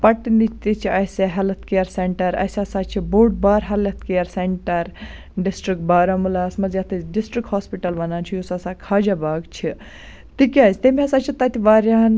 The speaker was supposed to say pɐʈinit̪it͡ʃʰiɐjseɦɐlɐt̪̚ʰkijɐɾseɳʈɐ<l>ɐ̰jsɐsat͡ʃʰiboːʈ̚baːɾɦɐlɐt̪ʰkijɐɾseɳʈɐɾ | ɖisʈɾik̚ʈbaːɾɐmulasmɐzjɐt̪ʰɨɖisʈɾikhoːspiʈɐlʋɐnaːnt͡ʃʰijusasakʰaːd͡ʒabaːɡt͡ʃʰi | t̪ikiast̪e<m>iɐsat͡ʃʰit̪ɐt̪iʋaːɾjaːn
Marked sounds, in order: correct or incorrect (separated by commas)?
incorrect, correct